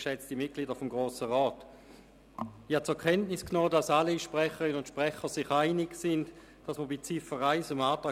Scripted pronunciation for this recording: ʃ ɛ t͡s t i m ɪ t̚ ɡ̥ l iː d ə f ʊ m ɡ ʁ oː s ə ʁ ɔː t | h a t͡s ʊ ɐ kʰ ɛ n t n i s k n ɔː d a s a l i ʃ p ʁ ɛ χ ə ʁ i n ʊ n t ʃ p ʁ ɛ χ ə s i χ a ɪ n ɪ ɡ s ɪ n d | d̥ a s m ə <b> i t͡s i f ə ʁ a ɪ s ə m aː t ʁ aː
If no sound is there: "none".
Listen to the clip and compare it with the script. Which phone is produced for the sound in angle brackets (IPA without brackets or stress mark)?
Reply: b